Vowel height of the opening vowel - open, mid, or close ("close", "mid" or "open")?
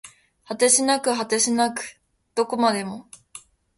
open